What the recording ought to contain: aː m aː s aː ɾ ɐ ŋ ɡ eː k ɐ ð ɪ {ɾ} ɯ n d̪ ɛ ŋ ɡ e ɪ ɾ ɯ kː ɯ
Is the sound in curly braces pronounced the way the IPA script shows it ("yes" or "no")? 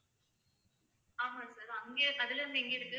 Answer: no